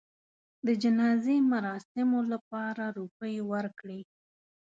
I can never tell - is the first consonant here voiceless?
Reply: no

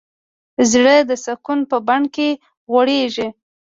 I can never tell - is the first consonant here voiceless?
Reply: no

